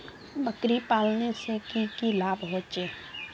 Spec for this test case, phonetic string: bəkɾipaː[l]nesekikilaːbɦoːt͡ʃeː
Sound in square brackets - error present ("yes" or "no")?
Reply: no